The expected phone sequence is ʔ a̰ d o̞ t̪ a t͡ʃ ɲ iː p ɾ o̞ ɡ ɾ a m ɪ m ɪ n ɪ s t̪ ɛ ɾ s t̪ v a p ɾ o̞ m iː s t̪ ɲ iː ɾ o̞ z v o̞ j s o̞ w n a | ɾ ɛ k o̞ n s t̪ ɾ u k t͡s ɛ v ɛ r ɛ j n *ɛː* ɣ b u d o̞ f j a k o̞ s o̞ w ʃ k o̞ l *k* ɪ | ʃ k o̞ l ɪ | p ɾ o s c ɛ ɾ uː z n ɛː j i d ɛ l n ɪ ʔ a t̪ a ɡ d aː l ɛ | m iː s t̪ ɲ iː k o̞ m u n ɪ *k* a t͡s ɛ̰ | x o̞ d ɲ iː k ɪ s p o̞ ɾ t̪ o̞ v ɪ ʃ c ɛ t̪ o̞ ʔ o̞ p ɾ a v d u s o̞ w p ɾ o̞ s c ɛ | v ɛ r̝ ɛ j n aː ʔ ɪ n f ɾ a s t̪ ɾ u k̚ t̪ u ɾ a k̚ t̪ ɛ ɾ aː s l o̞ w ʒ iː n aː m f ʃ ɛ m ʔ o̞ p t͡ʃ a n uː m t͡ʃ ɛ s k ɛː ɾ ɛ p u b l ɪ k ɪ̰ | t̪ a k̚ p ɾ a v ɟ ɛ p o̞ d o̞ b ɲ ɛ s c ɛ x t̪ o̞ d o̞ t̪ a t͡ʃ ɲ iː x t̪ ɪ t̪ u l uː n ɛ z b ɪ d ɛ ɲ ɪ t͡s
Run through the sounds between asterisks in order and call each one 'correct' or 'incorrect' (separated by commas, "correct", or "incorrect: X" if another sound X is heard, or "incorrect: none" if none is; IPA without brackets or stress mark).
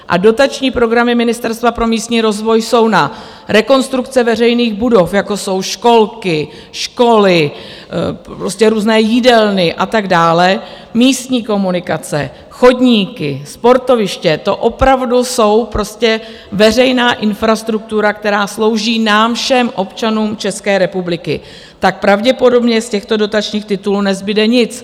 incorrect: iː, correct, correct